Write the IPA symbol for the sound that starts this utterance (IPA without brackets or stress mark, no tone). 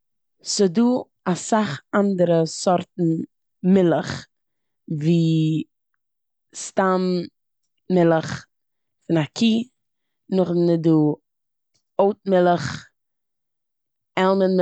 s